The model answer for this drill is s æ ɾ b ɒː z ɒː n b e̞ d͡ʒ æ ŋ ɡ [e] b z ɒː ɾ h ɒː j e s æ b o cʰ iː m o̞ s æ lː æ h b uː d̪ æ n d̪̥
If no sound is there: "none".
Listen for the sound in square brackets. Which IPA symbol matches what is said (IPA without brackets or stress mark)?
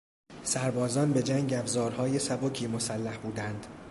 æ